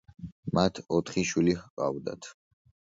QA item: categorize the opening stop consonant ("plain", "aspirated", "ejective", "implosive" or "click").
aspirated